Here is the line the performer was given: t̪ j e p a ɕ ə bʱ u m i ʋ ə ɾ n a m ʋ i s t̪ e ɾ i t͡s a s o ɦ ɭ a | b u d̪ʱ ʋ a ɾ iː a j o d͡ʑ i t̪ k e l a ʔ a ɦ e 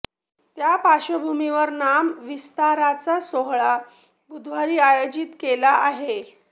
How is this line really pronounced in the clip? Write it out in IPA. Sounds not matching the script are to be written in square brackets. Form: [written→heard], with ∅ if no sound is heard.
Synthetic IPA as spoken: t̪ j [e→a] p a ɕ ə bʱ u m i ʋ ə ɾ n a m ʋ i s t̪ [e→a] ɾ [i→a] t͡s a s o ɦ ɭ a | b u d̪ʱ ʋ a ɾ iː a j o d͡ʑ i t̪ k e l a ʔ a ɦ e